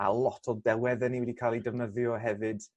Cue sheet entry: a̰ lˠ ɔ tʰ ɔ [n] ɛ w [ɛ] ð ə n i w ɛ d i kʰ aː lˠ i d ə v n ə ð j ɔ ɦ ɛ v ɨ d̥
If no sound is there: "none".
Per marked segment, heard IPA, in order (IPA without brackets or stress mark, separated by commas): d, ɛ